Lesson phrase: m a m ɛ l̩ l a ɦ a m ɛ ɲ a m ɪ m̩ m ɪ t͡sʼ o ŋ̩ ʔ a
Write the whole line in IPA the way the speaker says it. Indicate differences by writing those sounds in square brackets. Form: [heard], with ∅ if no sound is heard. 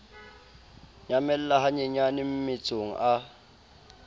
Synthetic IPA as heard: [ɲ] a m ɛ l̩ l a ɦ a [ɲ] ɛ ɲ a [n] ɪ m̩ m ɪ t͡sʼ o ŋ̩ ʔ a

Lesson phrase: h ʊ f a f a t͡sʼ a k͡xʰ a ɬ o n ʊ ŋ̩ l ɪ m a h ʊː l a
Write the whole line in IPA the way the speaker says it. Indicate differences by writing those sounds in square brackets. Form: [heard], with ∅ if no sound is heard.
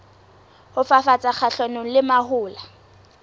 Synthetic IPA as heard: h ʊ f a f a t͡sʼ a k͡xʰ a ɬ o n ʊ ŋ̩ l ɪ m a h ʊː l a

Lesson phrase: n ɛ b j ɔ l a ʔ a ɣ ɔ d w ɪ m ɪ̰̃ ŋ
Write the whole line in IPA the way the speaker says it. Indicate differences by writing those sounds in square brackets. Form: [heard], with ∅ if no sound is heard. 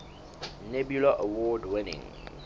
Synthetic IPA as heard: n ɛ b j [u] l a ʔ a [w] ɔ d w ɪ [n] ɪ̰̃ ŋ

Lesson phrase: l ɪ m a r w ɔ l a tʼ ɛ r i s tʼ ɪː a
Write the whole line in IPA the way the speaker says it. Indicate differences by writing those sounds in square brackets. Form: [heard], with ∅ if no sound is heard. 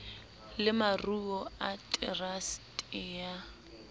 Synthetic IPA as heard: l ɪ m a r [u] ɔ [∅] a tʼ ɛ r [a] s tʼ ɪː a

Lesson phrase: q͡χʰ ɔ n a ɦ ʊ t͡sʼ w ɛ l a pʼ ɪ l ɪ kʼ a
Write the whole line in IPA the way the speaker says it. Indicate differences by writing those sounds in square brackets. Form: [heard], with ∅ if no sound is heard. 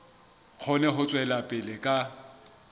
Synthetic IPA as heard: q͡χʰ ɔ n [ɛ] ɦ ʊ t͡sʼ w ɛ l a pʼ ɪ l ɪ kʼ a

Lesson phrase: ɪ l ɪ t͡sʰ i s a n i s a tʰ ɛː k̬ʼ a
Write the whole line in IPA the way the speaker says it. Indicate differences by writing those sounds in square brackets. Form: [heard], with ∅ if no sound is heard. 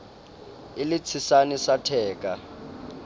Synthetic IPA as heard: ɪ l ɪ t͡sʰ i s a n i s a tʰ ɛː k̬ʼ a

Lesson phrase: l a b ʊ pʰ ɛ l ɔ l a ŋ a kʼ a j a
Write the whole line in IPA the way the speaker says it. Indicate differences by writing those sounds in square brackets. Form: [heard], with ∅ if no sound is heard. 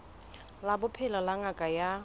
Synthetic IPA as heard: l a b ʊ pʰ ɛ l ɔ l a ŋ a kʼ a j a

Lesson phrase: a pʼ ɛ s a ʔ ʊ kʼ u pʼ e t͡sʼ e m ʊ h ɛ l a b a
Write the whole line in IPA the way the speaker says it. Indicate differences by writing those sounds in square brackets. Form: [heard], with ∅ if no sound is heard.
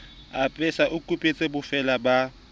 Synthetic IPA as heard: a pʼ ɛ s a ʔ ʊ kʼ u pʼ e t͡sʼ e [b] ʊ [f] ɛ l a b a

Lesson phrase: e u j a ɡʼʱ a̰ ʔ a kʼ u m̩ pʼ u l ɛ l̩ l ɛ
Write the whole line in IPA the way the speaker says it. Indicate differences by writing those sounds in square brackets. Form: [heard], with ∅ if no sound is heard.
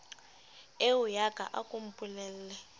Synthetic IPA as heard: e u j a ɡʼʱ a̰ ʔ a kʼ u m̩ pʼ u l ɛ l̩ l ɛ

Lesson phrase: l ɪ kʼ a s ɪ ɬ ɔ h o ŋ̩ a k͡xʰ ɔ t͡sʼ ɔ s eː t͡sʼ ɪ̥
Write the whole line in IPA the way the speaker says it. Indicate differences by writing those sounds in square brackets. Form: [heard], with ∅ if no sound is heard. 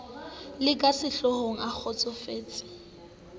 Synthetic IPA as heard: l ɪ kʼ a s ɪ ɬ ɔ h o ŋ̩ a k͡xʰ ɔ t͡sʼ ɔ [f] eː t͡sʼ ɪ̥

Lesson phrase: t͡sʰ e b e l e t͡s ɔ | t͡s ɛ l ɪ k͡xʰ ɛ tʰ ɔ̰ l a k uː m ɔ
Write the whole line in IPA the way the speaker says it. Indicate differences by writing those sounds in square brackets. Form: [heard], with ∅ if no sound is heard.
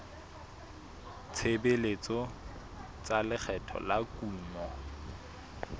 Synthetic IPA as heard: t͡sʰ e b e l e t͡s ɔ | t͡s [a] l ɪ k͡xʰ ɛ tʰ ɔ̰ l a k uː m ɔ

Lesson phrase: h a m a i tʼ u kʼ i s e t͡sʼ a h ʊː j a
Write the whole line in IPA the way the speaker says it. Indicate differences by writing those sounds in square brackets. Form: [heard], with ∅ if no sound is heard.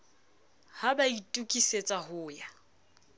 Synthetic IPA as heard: h a [b] a i tʼ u kʼ i s e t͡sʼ a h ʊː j a

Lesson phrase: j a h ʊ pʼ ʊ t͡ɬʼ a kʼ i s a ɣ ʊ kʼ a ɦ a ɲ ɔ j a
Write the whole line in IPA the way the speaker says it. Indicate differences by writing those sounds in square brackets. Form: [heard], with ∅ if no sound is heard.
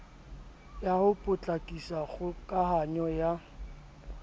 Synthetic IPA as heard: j a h ʊ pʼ ʊ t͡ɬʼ a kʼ i s a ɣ ʊ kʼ a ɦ a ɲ ɔ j a

